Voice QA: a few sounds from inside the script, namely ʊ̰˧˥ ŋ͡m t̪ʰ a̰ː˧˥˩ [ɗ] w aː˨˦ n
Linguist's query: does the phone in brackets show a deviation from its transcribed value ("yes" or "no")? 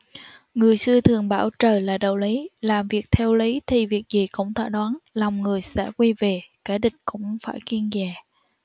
no